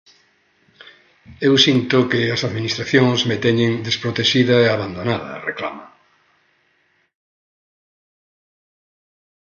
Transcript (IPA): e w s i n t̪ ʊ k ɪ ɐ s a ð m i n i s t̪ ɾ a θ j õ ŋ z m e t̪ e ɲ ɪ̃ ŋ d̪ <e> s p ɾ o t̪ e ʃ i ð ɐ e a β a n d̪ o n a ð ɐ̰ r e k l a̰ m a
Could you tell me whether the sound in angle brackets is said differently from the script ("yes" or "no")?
no